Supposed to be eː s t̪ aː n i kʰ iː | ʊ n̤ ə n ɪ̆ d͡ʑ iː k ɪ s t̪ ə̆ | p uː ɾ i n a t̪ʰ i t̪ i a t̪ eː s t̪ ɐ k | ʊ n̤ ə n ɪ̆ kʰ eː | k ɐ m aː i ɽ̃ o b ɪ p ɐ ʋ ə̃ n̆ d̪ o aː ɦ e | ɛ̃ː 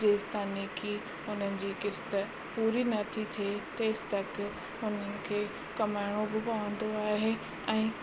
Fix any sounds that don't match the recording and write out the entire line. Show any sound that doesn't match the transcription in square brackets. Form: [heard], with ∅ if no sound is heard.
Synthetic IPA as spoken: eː s t̪ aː n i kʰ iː | ʊ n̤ ə n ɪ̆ d͡ʑ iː k ɪ s t̪ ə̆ | p uː ɾ i n [ɐ] t̪ʰ i [t̪ʰ] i [e] t̪ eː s t̪ ɐ k | ʊ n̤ ə n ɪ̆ kʰ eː | k ɐ m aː [ɪ] ɽ̃ o b ɪ p ɐ ʋ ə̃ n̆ d̪ o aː ɦ e | ɛ̃ː